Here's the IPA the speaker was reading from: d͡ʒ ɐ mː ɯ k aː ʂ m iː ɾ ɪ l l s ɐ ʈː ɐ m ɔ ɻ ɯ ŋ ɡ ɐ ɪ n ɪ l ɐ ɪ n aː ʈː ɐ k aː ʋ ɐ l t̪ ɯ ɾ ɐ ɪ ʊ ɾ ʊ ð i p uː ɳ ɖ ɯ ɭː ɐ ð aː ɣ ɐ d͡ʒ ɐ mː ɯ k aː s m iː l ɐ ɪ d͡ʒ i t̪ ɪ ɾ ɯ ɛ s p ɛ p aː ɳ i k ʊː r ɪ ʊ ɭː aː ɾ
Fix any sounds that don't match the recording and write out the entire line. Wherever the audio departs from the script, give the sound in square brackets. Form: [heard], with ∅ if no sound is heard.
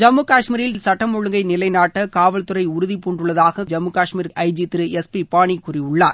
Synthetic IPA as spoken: d͡ʒ ɐ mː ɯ k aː ʂ m iː ɾ ɪ l l s ɐ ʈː ɐ m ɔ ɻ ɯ ŋ ɡ ɐ ɪ n ɪ l ɐ ɪ n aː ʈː ɐ k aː ʋ ɐ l t̪ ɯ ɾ ɐ ɪ ʊ ɾ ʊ ð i p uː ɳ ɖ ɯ ɭː ɐ ð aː ɣ ɐ d͡ʒ ɐ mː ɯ k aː [ʂ] m iː [ɾ] ɐ ɪ d͡ʒ i t̪ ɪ ɾ ɯ ɛ s p [i] p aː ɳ i k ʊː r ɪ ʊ ɭː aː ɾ